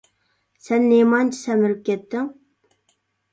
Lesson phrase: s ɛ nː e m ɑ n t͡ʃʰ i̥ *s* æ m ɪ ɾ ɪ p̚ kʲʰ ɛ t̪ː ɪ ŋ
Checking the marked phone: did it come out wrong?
no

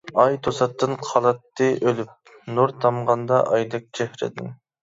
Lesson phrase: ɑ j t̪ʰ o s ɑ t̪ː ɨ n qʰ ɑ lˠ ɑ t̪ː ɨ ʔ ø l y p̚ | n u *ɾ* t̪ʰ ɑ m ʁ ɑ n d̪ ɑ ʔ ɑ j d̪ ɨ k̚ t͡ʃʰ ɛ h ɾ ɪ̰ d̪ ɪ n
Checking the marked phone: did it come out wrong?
no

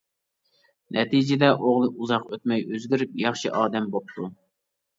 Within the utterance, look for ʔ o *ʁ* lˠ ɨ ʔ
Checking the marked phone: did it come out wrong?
no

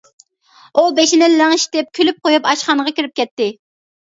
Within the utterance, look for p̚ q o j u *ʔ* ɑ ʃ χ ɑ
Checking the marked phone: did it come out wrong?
yes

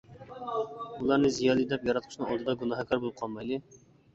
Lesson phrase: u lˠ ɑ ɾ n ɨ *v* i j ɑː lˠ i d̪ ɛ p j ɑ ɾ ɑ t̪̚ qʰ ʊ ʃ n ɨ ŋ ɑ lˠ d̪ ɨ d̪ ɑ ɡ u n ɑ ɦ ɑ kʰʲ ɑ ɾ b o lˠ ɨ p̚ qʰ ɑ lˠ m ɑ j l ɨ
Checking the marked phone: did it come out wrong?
yes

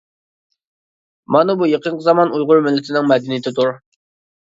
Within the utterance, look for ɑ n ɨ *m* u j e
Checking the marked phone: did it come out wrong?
yes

